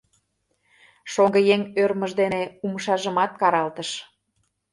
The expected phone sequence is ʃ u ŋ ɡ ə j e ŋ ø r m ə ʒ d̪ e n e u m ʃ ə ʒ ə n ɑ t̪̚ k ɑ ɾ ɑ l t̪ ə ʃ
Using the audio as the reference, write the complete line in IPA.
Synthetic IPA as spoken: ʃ o ŋ ɡ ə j e ŋ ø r m ə ʒ d̪ e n e u m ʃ ɑ ʒ ə m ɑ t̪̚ k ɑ ɾ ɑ l t̪ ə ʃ